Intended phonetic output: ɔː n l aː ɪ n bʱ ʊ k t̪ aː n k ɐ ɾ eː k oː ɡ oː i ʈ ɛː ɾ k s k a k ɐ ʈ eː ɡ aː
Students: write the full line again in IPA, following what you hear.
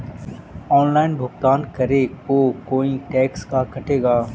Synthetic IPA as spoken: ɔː n l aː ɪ n bʱ ʊ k t̪ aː n k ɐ ɾ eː k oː k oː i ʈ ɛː k s k a k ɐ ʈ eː ɡ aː